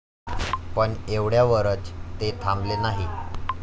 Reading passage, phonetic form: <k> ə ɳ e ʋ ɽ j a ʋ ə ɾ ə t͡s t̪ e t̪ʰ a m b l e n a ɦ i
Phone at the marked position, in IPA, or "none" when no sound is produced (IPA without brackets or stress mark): p